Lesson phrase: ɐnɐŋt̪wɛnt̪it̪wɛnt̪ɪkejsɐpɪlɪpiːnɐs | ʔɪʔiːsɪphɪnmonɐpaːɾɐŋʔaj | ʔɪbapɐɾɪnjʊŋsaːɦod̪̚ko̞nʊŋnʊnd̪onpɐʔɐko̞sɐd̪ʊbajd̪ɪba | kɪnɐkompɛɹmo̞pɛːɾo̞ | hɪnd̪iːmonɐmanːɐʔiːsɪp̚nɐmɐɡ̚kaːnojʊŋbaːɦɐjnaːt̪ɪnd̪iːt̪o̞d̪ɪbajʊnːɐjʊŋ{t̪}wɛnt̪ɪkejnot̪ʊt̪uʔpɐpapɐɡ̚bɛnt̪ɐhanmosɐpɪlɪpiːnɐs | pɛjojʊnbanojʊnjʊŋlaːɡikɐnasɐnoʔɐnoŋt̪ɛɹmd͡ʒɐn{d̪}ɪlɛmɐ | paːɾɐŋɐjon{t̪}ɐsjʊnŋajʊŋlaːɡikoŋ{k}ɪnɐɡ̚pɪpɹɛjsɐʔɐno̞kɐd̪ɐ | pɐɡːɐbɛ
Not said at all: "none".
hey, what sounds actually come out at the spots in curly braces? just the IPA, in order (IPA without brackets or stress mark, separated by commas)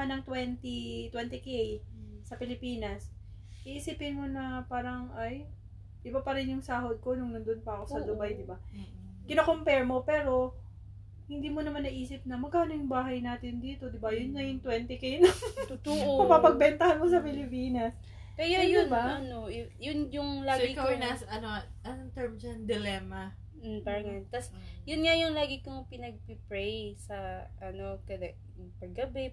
t̪, d̪, t̪, p